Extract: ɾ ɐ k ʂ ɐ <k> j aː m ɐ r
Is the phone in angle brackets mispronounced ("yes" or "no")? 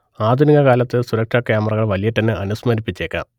no